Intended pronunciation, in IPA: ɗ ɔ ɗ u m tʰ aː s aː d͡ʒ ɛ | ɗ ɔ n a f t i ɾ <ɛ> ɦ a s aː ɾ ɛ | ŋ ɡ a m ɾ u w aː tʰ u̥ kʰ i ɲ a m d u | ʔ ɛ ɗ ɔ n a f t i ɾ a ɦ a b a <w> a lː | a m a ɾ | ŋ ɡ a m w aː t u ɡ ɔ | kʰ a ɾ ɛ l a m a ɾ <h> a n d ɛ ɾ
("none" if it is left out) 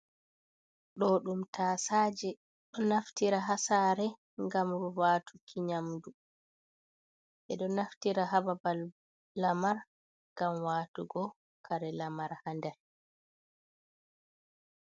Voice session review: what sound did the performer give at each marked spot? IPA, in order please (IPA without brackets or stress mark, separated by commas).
a, b, h